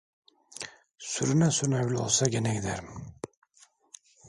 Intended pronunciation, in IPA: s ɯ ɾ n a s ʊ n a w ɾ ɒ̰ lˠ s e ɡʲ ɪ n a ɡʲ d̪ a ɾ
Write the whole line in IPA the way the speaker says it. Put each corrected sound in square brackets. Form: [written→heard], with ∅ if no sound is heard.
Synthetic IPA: s [ɯ→ʊ] ɾ n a s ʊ n a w [ɾ→l] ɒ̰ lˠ s [e→a] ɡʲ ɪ n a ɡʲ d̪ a ɾ